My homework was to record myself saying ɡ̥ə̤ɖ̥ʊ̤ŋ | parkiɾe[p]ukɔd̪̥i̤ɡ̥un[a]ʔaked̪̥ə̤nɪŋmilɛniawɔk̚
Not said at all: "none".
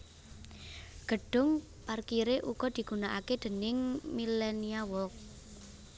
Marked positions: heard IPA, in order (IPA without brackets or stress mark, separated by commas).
ʔ, a